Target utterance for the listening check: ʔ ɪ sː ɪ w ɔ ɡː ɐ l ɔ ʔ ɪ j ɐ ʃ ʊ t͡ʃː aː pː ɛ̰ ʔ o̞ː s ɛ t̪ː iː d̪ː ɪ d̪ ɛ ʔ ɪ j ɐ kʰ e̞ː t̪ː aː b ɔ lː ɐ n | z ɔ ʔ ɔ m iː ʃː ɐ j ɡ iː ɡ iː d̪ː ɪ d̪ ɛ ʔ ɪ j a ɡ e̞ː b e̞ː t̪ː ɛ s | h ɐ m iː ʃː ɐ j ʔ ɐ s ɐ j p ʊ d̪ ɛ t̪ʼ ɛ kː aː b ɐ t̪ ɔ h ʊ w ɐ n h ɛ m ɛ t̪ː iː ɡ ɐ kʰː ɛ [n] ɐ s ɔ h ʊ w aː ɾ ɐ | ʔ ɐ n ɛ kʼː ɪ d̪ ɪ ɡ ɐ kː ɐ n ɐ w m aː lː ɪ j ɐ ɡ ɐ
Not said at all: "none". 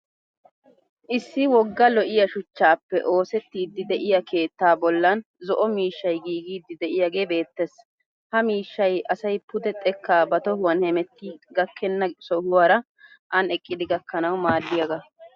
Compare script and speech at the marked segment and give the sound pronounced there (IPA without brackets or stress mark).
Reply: nː